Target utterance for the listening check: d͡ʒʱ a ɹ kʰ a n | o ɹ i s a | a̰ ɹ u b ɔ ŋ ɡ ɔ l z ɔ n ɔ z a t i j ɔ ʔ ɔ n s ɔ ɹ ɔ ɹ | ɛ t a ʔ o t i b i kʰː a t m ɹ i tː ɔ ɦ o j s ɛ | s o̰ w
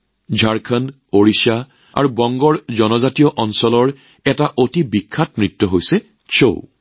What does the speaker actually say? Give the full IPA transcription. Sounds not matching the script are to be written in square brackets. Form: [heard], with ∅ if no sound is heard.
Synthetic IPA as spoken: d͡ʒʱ a ɹ kʰ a n | o ɹ i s a | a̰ ɹ u b ɔ ŋ ɡ ɔ [ɹ] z ɔ n ɔ z a t i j ɔ ʔ ɔ n s ɔ [l] ɔ ɹ | ɛ t a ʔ o t i b i kʰː a t m ɹ i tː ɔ ɦ o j s ɛ | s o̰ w